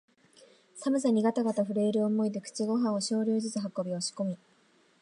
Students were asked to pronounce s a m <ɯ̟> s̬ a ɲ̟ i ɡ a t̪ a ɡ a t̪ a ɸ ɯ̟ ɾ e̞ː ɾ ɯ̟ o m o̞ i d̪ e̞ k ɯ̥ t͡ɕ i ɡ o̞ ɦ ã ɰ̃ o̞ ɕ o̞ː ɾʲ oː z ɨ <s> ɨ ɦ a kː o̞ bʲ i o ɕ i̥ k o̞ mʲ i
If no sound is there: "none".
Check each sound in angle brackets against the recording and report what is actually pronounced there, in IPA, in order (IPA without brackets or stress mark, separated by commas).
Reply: ɯ̟, t͡s